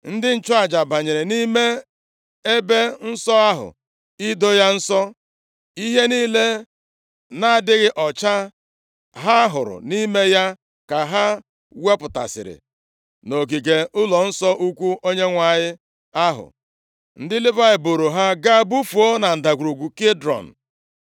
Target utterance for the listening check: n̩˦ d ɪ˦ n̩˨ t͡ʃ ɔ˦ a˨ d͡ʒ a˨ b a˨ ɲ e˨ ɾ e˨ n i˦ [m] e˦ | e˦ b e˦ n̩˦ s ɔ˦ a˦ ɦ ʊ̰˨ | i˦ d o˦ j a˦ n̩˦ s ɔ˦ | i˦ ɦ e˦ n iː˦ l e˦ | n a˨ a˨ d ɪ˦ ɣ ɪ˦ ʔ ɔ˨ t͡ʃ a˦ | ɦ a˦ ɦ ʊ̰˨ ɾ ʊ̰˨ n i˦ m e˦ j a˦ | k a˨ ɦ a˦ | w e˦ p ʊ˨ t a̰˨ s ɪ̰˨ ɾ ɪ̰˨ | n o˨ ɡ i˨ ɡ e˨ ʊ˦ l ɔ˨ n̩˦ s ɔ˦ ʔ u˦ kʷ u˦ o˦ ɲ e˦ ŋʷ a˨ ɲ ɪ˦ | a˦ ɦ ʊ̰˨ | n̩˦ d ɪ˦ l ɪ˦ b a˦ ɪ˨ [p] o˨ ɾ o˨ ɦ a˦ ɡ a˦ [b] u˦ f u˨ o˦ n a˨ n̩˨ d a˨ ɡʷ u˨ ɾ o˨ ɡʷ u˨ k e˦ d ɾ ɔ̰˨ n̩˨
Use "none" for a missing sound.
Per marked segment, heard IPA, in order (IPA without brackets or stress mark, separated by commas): m, b, b